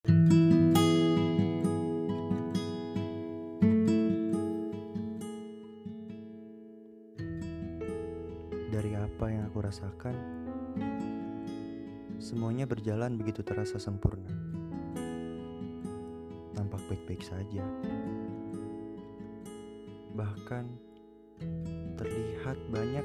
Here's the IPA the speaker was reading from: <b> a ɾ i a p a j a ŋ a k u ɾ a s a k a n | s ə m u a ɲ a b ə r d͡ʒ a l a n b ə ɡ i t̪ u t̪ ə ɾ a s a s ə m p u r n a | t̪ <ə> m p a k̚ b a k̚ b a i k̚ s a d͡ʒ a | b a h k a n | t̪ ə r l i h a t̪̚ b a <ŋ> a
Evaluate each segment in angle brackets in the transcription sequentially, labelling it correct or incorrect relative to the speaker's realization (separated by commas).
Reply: incorrect, incorrect, incorrect